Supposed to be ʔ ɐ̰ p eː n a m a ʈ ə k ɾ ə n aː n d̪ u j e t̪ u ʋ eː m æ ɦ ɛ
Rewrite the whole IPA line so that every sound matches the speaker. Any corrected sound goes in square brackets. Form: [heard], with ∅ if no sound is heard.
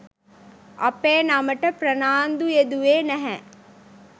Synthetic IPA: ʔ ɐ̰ p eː n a m [ə] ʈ ə [p] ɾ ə n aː n d̪ u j e [d̪] u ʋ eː [n] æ ɦ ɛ